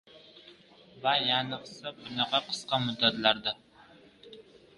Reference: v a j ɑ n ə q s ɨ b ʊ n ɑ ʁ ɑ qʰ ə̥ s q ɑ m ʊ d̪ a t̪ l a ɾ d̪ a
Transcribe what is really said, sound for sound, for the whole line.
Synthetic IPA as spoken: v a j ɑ n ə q s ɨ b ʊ n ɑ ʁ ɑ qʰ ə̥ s q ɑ m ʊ d̪ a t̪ l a ɾ d̪ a